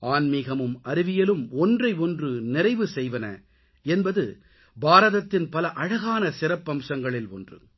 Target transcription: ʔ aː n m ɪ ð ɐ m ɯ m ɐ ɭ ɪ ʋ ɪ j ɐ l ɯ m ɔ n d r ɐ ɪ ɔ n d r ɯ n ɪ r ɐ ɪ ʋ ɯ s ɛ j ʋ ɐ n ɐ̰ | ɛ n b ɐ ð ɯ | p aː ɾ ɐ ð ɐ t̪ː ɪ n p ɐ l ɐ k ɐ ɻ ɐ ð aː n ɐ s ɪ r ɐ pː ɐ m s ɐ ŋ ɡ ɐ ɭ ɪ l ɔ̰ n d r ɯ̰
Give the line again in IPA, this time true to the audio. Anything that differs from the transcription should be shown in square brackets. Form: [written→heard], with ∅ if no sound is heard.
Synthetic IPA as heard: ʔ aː n m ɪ [ð→ɣ] ɐ m ɯ m ɐ [ɭ→ɾ] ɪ ʋ ɪ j ɐ l ɯ m ɔ n d r ɐ ɪ ɔ n d r ɯ n ɪ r ɐ ɪ ʋ ɯ s ɛ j ʋ ɐ n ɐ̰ | ɛ n b ɐ ð ɯ | [p→b] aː ɾ ɐ ð ɐ t̪ː ɪ n p ɐ l ɐ [k→ʔ] ɐ ɻ ɐ [ð→ɣ] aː n ɐ s ɪ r ɐ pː ɐ m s ɐ ŋ ɡ ɐ ɭ ɪ l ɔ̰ n d r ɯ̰